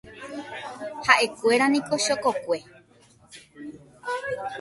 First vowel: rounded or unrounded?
unrounded